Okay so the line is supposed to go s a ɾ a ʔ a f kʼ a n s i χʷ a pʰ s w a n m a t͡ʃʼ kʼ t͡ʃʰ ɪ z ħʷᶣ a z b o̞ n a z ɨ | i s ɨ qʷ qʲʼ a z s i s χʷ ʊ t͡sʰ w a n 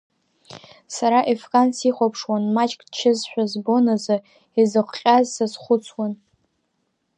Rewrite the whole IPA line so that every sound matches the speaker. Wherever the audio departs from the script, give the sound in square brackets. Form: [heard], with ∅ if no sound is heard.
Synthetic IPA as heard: s a ɾ a ʔ [e] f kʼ a n s i χʷ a pʰ [ʂ] w a n m a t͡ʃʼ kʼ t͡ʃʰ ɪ z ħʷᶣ a z b o̞ n a z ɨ | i [z] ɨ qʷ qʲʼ a z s [a] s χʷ ʊ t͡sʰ w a n